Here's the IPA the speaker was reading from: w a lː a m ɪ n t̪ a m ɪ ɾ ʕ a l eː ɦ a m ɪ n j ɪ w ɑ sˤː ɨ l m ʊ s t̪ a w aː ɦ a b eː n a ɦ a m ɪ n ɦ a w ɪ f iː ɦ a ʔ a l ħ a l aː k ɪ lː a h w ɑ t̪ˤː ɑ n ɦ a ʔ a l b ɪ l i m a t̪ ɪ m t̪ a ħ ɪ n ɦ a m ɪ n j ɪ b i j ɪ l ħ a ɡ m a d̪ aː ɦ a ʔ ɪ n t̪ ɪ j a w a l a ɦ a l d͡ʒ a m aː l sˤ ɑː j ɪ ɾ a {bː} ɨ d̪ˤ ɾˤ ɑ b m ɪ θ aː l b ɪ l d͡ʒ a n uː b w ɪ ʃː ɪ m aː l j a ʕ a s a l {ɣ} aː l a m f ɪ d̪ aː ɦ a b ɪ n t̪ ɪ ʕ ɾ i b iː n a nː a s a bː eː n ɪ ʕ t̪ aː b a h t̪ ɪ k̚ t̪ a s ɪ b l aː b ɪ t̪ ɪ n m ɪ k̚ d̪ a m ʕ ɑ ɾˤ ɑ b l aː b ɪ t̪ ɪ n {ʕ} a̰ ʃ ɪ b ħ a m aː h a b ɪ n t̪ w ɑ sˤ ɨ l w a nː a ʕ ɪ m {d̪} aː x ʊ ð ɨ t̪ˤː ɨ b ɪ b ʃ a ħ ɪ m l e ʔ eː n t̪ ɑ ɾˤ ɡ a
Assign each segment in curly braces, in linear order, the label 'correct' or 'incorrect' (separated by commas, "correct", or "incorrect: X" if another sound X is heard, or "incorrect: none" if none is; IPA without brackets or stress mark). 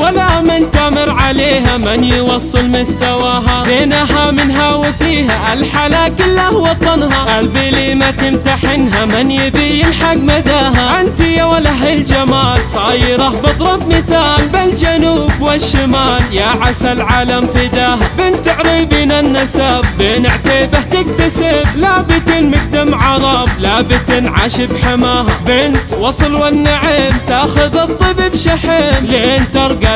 incorrect: b, incorrect: ʕ, correct, incorrect: t̪